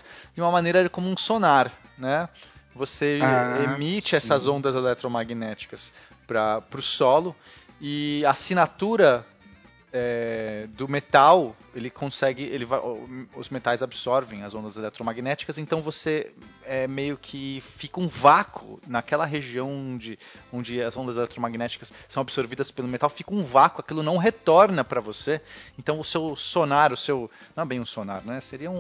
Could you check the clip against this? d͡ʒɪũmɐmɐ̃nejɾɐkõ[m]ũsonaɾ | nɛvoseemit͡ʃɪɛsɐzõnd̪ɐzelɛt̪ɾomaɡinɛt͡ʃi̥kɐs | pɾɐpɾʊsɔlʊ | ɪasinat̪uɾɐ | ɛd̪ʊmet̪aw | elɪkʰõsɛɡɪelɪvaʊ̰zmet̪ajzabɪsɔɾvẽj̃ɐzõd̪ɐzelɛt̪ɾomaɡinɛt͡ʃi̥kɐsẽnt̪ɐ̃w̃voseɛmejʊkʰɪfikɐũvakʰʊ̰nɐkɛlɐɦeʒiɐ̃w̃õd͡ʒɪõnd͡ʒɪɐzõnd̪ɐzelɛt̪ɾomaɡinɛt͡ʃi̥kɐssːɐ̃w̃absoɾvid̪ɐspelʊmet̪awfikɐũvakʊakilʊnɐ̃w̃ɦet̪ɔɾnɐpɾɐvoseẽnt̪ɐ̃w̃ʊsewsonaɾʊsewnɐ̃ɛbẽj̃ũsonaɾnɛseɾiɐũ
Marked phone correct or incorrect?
correct